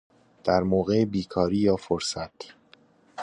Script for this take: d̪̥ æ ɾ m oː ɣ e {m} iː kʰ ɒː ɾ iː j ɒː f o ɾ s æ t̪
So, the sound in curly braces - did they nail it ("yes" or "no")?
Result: no